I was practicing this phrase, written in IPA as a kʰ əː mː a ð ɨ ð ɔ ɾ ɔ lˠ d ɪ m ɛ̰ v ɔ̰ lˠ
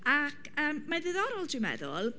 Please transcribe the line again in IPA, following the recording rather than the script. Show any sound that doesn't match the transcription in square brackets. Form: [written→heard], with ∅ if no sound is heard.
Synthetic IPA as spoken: a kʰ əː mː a ð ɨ ð ɔ ɾ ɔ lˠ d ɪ m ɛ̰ [v→ð] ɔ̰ lˠ